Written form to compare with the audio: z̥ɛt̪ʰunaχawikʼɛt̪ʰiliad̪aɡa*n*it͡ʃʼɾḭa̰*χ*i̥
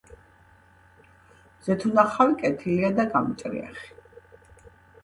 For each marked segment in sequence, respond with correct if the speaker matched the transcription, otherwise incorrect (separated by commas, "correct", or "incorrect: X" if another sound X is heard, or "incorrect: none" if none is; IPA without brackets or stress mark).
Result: incorrect: m, correct